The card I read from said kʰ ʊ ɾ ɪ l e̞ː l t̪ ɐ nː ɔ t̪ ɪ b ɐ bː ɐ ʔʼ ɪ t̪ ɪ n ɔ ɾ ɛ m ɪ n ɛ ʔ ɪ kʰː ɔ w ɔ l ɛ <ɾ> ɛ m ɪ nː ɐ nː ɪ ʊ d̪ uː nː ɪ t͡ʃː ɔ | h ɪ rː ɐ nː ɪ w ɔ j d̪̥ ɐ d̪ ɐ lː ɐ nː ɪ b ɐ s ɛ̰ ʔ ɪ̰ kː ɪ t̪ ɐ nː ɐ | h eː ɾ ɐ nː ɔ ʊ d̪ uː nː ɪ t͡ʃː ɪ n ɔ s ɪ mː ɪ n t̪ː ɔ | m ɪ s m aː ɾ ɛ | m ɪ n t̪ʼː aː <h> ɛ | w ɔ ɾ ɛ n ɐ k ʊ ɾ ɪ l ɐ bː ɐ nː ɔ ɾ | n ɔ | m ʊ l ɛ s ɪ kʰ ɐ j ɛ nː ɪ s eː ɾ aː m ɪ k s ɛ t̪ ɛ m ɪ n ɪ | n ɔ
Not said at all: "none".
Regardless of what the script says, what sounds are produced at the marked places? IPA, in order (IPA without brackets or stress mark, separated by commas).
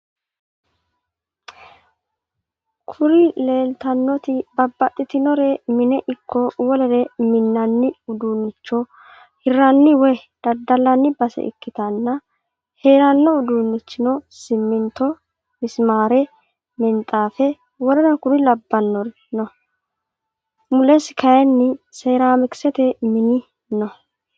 ɾ, f